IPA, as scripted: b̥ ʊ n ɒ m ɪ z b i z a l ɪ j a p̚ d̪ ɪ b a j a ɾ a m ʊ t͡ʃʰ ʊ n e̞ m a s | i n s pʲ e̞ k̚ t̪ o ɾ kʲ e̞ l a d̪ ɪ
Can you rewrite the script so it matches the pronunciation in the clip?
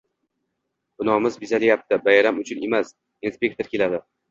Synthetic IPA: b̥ ʊ n ɒ m ɪ z b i z a l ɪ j a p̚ t̪ ɪ b a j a ɾ a m ʊ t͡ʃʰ ʊ n e̞ m a s | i n s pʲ e̞ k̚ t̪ o ɾ kʲ e̞ l a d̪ ɪ